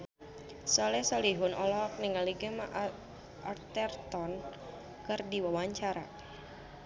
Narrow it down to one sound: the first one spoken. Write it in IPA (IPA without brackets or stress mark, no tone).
s